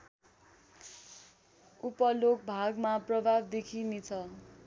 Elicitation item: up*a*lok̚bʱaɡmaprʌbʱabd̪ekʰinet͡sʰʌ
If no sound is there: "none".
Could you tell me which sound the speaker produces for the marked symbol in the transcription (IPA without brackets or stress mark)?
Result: ʌ